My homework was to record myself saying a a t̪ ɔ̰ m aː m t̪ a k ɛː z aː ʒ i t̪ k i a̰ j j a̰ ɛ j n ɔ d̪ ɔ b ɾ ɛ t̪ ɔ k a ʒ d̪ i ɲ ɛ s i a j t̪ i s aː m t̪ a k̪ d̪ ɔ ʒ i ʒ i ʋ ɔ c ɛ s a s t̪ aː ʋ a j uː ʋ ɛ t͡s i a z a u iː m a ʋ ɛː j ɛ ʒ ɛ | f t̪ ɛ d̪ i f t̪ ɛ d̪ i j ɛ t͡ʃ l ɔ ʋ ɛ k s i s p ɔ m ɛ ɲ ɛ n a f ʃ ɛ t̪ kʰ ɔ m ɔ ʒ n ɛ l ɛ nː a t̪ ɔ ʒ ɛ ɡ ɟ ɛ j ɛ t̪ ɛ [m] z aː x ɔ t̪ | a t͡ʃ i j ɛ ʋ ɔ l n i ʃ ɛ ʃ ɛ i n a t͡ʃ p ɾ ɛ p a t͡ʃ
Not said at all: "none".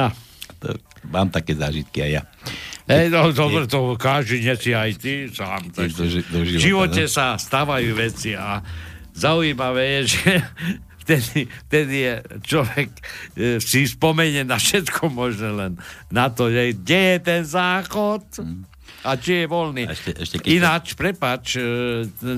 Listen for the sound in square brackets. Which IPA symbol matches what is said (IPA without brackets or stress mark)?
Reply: n